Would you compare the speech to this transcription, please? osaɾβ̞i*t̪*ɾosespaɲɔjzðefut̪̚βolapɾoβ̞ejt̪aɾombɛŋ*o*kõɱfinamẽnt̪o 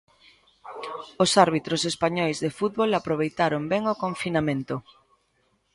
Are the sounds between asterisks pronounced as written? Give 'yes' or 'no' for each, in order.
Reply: yes, yes

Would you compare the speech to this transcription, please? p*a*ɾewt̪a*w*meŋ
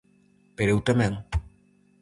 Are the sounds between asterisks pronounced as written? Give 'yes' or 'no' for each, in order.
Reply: no, no

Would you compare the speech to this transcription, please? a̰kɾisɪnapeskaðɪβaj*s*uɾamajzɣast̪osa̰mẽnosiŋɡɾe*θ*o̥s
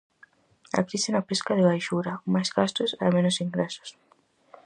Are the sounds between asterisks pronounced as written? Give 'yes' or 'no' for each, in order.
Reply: no, no

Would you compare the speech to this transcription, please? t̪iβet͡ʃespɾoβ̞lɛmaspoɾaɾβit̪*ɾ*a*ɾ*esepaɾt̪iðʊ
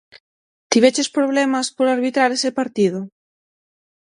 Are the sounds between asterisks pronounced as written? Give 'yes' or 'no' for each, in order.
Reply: yes, yes

